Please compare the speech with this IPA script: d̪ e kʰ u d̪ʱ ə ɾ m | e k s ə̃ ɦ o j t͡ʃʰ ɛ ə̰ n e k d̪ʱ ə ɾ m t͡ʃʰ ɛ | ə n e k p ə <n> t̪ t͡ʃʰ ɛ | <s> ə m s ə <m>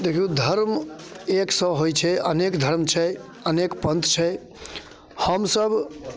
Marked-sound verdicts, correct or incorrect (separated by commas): correct, incorrect, incorrect